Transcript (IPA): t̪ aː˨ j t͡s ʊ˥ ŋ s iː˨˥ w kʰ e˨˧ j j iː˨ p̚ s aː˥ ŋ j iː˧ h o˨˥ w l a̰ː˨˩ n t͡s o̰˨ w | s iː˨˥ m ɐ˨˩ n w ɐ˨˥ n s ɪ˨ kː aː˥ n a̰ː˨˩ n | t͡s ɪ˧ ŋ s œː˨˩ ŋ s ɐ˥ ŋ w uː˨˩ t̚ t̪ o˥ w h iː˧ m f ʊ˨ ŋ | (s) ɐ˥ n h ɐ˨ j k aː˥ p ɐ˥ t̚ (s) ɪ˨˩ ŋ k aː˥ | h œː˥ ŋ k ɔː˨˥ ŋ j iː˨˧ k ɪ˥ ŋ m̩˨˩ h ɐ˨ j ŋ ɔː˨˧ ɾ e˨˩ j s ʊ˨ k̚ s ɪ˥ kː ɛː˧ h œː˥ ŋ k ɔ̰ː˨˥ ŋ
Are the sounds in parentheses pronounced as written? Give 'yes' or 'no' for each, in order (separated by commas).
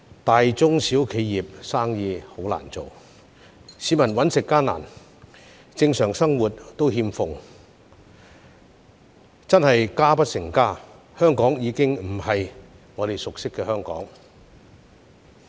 no, yes